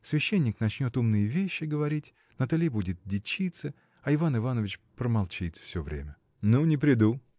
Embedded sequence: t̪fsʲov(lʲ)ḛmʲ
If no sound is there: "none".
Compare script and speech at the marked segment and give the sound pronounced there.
ɾʲ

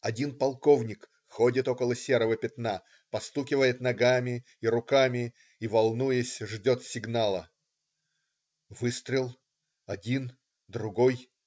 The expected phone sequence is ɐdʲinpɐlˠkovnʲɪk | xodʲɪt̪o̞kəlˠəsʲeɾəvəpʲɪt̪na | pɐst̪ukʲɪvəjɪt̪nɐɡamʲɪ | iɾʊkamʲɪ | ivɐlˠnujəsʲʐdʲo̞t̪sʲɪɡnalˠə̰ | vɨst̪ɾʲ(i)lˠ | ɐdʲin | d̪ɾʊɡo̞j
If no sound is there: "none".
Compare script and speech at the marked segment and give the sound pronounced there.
ɪ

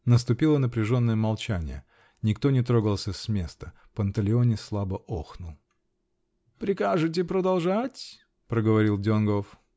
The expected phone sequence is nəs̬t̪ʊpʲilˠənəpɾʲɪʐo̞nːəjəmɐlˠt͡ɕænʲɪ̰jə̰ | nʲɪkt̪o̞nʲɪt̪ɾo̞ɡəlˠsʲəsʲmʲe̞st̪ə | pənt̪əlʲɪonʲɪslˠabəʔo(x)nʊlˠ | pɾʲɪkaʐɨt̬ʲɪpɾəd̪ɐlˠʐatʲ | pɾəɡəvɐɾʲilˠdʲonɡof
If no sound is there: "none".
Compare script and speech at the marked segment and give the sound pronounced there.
x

